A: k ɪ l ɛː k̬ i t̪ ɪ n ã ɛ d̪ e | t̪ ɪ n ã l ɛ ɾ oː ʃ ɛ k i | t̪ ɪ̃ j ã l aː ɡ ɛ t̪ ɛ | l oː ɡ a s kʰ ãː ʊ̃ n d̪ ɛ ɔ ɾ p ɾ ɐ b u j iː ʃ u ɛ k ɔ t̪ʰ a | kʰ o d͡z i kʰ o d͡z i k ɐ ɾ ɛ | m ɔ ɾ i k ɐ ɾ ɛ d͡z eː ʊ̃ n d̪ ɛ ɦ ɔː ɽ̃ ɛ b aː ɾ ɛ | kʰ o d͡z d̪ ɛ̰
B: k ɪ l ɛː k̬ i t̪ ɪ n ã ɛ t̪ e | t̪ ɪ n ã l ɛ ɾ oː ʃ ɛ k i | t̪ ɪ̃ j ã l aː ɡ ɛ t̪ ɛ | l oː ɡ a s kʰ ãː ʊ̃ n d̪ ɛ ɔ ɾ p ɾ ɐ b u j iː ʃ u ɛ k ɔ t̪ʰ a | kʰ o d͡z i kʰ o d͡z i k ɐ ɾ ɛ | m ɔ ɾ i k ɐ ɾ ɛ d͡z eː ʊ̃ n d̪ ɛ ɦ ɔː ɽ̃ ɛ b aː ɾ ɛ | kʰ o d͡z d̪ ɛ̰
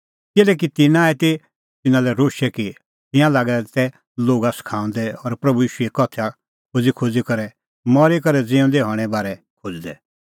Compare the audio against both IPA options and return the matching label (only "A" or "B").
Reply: B